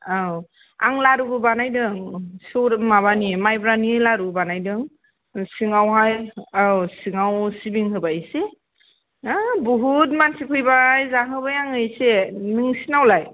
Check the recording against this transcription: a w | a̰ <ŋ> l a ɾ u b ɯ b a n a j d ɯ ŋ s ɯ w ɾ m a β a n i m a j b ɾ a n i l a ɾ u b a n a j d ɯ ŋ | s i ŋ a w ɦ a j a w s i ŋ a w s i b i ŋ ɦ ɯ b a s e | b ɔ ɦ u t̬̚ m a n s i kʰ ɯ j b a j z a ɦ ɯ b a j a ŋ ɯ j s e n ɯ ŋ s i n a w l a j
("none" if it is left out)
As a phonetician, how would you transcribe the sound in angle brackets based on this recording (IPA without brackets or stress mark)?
ŋ